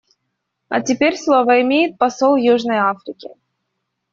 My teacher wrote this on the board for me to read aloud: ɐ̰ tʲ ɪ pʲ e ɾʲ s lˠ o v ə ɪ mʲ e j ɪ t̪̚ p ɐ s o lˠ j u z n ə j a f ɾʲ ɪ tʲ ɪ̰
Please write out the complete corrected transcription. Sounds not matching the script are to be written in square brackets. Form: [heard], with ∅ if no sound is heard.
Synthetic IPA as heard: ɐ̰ tʲ ɪ pʲ e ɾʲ s lˠ o v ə ɪ mʲ e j ɪ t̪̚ p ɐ s o lˠ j u [ʐ] n ə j a f ɾʲ ɪ [kʲ] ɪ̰